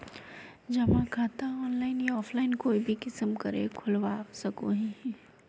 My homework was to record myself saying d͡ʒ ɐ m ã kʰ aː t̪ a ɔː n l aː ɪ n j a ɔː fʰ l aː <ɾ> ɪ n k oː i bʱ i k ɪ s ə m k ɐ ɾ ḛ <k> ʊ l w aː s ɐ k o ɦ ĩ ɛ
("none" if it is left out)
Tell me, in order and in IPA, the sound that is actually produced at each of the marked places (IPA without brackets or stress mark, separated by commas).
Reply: none, kʰ